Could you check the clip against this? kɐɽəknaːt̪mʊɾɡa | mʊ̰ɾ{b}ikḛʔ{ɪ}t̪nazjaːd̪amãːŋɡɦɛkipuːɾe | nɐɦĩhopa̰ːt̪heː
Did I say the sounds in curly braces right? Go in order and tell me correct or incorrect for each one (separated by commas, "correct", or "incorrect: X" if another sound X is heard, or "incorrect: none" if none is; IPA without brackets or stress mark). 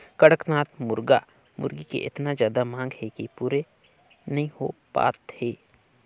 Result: incorrect: ɡ, correct